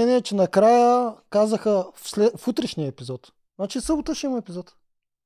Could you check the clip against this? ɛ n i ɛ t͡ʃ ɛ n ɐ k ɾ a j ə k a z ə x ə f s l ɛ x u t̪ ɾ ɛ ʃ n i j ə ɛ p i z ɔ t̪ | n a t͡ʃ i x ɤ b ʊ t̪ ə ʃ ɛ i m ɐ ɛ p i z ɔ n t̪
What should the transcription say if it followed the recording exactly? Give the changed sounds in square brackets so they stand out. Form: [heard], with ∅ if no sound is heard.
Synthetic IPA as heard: ɛ n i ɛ t͡ʃ ɛ n ɐ k ɾ a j ə k a z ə x ə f s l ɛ [f] u t̪ ɾ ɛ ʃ n i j ə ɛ p i z ɔ t̪ | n a t͡ʃ i [s] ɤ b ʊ t̪ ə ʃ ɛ i m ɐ ɛ p i z ɔ [∅] t̪